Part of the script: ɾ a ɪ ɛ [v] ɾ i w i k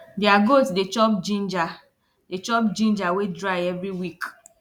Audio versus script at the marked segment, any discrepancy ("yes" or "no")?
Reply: no